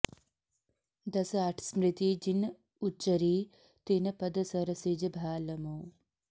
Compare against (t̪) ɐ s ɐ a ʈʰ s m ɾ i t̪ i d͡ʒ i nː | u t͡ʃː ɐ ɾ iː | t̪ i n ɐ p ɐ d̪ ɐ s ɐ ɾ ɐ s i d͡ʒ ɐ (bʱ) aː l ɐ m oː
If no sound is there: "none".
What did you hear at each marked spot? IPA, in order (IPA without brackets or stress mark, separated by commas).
d̪, bʱ